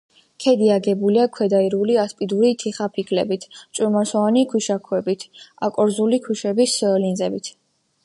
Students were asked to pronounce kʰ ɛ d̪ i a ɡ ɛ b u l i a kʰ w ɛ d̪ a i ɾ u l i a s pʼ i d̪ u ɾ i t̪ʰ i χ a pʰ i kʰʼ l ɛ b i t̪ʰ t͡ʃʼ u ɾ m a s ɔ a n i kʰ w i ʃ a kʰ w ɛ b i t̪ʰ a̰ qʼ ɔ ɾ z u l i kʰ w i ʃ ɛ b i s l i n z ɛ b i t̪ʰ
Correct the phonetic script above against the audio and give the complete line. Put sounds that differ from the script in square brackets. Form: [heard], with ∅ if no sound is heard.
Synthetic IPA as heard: kʰ ɛ d̪ i a ɡ ɛ b u l i a kʰ w ɛ d̪ a i ɾ u l i a s pʼ i d̪ u ɾ i t̪ʰ i χ a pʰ i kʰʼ l ɛ b i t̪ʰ t͡ʃʼ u ɾ m a s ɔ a n i kʰ w i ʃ a kʰ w ɛ b i t̪ʰ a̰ [kʼ] ɔ ɾ z u l i kʰ w i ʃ ɛ b i s l i n z ɛ b i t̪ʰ